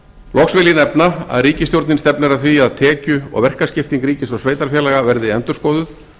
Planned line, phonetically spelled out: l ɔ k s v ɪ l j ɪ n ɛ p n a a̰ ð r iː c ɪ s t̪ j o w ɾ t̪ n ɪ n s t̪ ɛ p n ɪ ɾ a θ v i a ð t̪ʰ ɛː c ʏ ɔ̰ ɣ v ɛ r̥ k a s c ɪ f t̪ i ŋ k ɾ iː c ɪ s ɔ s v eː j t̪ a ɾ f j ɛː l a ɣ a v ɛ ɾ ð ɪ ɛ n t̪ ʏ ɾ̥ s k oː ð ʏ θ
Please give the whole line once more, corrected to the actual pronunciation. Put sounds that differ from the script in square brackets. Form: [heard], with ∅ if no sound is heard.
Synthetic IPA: l ɔ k s v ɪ l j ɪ n ɛ p n a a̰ ð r iː c ɪ s t̪ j o w ɾ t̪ n ɪ n s t̪ ɛ p n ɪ ɾ a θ v i a ð t̪ʰ ɛː c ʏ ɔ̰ ɣ v ɛ r̥ k a s c ɪ f t̪ i ŋ k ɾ iː c ɪ s ɔ s v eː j t̪ a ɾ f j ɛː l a ɣ a v ɛ ɾ ð ɪ ɛ n t̪ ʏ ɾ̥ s k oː ð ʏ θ